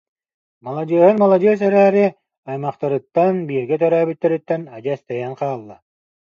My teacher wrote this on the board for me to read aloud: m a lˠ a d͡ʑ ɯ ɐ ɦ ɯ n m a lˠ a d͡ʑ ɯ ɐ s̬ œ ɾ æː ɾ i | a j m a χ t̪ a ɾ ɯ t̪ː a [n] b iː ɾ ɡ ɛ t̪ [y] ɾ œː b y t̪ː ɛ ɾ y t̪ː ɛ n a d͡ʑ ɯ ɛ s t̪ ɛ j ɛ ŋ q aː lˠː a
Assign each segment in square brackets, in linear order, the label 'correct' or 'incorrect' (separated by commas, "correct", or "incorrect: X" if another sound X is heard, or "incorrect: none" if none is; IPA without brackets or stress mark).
correct, incorrect: œ